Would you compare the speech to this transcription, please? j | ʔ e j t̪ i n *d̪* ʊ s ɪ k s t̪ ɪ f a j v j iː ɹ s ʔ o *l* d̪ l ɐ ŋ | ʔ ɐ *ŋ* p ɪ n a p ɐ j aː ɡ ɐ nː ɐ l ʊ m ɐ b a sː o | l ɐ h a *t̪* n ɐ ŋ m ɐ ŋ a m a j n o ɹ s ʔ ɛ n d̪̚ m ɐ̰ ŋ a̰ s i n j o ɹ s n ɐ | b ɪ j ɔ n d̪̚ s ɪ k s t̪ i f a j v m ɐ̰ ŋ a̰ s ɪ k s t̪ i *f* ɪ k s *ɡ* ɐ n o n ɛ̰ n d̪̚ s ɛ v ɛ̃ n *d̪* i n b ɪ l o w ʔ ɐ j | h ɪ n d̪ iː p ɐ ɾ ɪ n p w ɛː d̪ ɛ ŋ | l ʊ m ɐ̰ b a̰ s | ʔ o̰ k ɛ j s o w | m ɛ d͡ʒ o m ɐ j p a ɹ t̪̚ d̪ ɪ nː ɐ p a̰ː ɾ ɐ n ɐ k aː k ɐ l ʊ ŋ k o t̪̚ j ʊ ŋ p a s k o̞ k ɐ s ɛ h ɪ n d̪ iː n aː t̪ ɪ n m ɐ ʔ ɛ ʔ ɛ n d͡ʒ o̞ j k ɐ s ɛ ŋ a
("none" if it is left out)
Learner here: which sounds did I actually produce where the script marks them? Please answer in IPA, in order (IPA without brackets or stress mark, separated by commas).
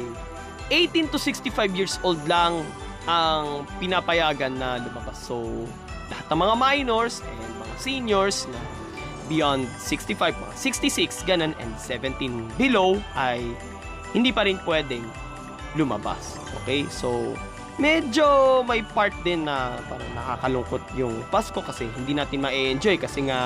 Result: t̪, l, ŋ, t̪, s, ɡ, t̪